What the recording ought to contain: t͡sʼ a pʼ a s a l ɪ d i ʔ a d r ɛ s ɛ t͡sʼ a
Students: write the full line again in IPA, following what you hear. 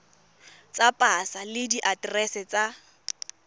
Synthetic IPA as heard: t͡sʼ a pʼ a s a l ɪ d i ʔ a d r ɛ s ɛ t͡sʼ a

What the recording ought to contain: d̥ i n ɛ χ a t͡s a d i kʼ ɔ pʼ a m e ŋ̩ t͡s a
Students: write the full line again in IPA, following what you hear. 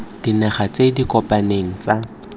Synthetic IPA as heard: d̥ i n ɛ χ a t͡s e d i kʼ ɔ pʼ a n e ŋ̩ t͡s a

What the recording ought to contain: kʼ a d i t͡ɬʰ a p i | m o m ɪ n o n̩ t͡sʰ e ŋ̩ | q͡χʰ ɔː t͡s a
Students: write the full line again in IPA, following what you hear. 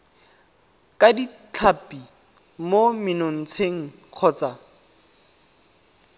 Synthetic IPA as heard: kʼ a d i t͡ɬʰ a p i | m o m ɪ n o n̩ t͡sʰ e ŋ̩ | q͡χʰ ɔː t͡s a

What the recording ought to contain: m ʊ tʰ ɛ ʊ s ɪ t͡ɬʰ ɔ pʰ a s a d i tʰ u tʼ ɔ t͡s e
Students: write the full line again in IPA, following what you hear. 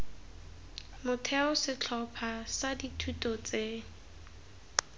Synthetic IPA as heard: m ʊ tʰ ɛ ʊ s ɪ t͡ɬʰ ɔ pʰ a s a d i tʰ u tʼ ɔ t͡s e

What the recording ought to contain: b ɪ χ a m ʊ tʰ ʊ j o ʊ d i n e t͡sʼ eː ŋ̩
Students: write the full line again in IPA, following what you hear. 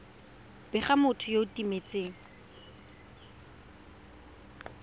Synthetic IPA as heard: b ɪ χ a m ʊ tʰ ʊ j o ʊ t i m e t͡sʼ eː ŋ̩

